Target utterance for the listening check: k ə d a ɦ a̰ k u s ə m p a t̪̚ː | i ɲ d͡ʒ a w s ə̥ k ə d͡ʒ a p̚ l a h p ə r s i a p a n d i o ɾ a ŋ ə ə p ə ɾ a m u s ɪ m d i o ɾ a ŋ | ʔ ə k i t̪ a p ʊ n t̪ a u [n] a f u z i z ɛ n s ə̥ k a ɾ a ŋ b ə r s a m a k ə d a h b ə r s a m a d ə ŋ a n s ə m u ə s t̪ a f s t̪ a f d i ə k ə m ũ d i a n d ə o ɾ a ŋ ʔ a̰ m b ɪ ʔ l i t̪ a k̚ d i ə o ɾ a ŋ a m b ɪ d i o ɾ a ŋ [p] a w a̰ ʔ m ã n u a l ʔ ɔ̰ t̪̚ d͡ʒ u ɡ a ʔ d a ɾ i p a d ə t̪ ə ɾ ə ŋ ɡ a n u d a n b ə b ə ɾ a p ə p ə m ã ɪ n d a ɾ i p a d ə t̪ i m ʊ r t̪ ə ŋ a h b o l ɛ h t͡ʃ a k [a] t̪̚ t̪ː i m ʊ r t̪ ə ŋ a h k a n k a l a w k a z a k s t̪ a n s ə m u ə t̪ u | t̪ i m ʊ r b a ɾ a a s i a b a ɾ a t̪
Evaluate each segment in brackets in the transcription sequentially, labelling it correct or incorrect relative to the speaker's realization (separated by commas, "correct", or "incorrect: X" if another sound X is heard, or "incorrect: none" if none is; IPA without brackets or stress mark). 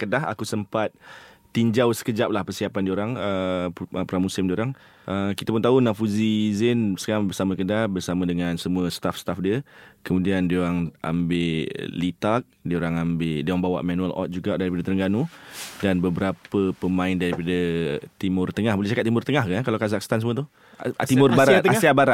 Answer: correct, incorrect: b, correct